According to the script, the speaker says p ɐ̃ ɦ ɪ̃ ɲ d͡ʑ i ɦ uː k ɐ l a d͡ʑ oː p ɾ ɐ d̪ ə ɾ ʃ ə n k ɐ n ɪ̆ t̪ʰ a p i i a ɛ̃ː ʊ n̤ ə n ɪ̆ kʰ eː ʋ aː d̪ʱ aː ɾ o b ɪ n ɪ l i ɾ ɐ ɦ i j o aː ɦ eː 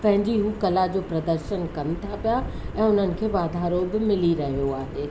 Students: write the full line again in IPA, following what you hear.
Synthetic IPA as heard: p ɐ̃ ɦ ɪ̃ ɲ d͡ʑ i ɦ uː k ɐ l a d͡ʑ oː p ɾ ɐ d̪ ə ɾ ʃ ə n k ɐ n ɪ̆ t̪ʰ a p i j a ɛ̃ː ʊ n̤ ə n ɪ̆ kʰ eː ʋ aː d̪ʱ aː ɾ o b ɪ m ɪ l i ɾ ɐ ɦ i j o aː ɦ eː